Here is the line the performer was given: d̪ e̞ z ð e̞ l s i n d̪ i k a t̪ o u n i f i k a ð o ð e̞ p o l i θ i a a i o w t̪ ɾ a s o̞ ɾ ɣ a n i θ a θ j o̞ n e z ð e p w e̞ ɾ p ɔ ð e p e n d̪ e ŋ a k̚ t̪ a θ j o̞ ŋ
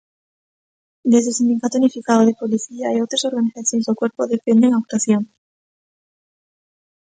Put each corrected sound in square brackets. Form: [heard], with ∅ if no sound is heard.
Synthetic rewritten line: d̪ e̞ z ð e̞ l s i n d̪ i k a t̪ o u n i f i k a ð o ð e̞ p o l i θ i a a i o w t̪ ɾ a s o̞ ɾ ɣ a n i θ a θ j o̞ n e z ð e [k] w e̞ ɾ p [o] ð e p e n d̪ e ŋ a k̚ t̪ a θ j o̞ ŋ

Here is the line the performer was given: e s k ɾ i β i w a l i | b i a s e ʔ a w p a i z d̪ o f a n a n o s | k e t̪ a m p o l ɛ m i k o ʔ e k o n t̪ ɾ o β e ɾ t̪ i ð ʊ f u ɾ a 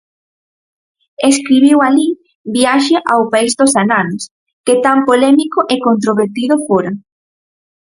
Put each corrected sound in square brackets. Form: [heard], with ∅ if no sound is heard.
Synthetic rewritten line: e s k ɾ i β i w a l i | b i a [ʃ] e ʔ a w p a i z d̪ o [s] a n a n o s | k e t̪ a m p o l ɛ m i k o ʔ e k o n t̪ ɾ o β e ɾ t̪ i ð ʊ f [o] ɾ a

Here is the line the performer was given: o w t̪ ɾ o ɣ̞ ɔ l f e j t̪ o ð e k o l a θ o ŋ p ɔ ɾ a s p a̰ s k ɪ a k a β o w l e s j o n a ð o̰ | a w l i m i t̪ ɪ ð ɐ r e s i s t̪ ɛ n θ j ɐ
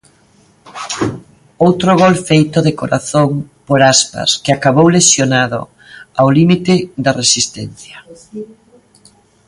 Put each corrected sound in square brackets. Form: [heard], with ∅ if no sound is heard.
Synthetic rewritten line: o w t̪ ɾ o ɣ̞ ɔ l f e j t̪ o ð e k o [ɾ] a θ o ŋ p [o] ɾ a s p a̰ s k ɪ a k a β o w l e s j o n a ð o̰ | a w l i m i t̪ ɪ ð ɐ r e s i s t̪ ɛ n θ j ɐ

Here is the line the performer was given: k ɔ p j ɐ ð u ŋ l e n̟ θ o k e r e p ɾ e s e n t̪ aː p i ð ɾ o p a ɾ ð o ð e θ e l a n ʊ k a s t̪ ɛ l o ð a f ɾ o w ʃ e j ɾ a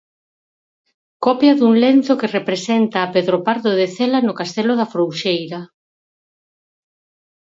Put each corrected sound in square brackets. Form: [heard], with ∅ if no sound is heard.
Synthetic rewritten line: k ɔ p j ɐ ð u ŋ l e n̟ θ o k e r e p ɾ e s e n t̪ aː p [e] ð ɾ o p a ɾ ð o ð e θ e l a n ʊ k a s t̪ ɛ l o ð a f ɾ o w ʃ e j ɾ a

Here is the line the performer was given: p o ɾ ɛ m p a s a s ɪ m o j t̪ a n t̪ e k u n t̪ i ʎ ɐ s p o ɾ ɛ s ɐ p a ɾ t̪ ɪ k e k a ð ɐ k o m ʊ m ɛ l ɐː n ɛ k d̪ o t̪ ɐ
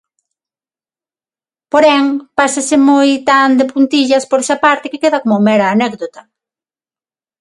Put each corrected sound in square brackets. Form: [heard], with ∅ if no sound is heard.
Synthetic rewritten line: p o ɾ ɛ [ŋ] p a s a s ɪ m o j t̪ a n [d̪] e [p] u n t̪ i ʎ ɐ s p o ɾ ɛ s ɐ p a ɾ t̪ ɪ k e k [e] ð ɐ k o m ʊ m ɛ [ɾ] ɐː n ɛ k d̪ o t̪ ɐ

